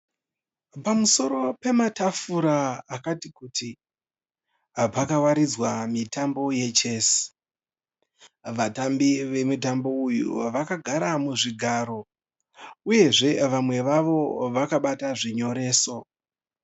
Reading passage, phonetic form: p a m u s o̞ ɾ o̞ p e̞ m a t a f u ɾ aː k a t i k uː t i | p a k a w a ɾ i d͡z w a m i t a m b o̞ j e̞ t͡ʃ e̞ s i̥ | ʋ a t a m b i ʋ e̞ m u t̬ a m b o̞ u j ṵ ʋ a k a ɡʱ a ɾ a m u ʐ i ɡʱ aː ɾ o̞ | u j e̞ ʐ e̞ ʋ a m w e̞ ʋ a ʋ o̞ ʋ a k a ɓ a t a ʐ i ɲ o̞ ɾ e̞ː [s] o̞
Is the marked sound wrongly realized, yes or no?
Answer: no